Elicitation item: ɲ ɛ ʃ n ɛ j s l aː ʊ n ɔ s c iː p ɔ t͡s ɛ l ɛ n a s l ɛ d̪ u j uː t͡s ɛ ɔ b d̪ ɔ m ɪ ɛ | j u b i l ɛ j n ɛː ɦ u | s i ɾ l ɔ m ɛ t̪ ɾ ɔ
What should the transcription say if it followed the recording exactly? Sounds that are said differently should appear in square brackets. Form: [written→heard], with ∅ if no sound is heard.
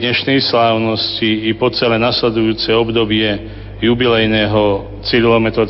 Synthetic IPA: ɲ ɛ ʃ n ɛ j s l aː ʊ n ɔ s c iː p ɔ t͡s ɛ l ɛ n a s l ɛ d̪ u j uː t͡s ɛ ɔ b d̪ ɔ [m→b] ɪ ɛ | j u b i l ɛ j n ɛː ɦ [u→ɔ] | [s→t͡s] i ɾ l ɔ m ɛ t̪ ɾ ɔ